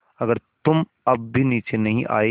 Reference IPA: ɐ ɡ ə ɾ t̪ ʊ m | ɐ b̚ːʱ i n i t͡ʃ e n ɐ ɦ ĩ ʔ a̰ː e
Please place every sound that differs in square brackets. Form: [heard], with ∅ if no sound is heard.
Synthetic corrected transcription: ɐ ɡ ə ɾ t̪ ʊ m | ɐ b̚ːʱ i n [iː] t͡ʃ e n ɐ ɦ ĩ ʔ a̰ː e